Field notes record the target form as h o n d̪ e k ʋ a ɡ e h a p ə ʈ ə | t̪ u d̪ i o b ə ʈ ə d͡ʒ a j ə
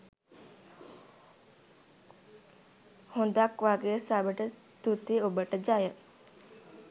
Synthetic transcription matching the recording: h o n d̪ a k ʋ a ɡ e s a b ə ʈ ə | t̪ u t̪ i o b ə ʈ ə d͡ʒ a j ə